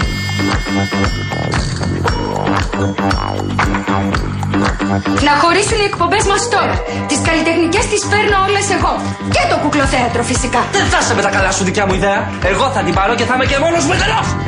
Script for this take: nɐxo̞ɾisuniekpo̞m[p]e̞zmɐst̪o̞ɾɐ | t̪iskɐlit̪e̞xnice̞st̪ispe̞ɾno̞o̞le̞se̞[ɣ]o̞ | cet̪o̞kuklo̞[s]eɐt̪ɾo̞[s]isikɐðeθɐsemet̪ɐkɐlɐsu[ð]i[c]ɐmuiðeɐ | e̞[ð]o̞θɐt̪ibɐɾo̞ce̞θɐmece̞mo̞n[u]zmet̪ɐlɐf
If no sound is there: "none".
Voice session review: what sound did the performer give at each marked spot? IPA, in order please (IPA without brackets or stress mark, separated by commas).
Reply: b, ɣ, θ, f, ð, c, ɣ, o